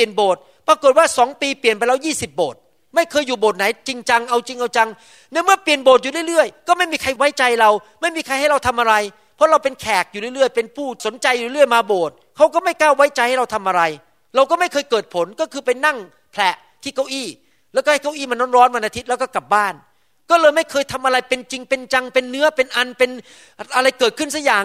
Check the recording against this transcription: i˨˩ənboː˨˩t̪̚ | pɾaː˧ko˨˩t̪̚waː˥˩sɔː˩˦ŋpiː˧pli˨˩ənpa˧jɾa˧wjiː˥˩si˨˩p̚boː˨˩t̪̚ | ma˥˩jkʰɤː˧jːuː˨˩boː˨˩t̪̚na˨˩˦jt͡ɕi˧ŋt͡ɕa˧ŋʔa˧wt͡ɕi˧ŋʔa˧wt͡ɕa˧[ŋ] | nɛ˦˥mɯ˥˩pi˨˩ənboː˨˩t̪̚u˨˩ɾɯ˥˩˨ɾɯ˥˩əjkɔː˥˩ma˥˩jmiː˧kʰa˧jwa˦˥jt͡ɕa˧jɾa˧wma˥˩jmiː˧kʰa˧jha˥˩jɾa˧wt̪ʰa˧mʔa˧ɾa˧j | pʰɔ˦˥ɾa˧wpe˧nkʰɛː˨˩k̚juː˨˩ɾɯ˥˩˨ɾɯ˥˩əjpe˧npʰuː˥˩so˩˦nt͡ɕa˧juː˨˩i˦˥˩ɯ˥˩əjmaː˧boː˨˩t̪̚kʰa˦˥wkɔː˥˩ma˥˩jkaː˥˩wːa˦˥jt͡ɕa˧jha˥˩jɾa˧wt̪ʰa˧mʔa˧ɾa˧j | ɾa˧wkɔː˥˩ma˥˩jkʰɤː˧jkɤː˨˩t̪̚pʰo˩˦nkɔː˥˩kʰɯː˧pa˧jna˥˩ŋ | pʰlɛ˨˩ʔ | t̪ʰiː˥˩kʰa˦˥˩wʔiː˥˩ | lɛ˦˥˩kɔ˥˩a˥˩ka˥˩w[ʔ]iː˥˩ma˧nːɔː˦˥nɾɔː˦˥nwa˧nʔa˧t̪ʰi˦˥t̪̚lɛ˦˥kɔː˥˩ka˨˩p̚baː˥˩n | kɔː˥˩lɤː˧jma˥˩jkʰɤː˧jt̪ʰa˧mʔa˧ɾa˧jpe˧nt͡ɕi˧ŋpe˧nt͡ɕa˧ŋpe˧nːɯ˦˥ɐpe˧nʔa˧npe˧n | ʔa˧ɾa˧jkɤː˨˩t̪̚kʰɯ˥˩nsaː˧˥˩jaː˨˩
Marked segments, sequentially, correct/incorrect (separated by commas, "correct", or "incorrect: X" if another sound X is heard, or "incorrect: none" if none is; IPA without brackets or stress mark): correct, correct